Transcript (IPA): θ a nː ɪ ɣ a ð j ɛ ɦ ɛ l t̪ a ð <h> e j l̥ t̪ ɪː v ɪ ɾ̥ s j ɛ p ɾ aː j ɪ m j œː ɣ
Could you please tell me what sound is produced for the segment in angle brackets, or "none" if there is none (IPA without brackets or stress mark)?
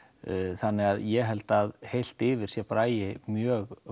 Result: h